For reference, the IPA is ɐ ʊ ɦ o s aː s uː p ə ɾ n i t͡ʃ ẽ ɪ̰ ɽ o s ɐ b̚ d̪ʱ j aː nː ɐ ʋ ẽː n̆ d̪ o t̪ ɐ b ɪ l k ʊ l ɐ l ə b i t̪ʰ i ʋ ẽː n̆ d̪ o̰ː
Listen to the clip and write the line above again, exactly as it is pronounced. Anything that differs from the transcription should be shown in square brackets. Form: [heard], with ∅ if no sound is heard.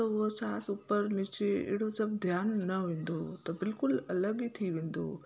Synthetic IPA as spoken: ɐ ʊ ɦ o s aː s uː p ə ɾ n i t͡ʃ [e] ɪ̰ ɽ o s ɐ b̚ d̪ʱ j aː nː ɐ ʋ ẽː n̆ d̪ o t̪ ɐ b ɪ l k ʊ l ɐ l ə [ɡ] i t̪ʰ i ʋ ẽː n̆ d̪ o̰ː